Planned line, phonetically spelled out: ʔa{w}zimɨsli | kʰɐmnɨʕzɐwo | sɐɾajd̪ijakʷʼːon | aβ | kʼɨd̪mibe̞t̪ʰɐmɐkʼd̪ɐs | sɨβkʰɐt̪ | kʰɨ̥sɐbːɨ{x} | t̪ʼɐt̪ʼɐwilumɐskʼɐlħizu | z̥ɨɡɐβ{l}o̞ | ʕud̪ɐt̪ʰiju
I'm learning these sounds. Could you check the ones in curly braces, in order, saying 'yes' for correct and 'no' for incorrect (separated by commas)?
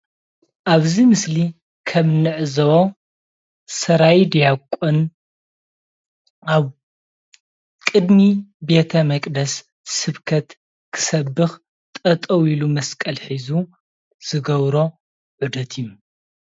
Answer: no, yes, no